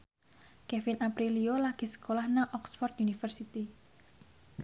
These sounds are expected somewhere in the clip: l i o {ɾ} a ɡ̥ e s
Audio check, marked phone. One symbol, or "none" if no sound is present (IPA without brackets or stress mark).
l